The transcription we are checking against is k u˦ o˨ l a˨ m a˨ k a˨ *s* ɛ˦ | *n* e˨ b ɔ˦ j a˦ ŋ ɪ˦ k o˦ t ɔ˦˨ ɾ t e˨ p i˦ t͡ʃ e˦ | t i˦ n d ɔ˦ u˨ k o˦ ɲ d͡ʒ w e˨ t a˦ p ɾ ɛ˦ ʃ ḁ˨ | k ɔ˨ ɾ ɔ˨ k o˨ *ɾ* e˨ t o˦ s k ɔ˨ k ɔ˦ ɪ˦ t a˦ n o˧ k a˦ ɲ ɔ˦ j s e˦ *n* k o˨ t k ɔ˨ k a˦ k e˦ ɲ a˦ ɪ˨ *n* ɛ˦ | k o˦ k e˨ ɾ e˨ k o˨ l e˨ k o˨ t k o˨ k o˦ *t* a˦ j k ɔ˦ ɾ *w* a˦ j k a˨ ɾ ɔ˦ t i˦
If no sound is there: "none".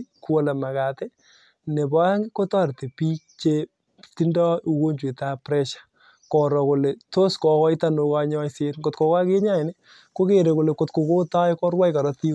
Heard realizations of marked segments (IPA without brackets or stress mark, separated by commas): t, n, l, n, n, t, w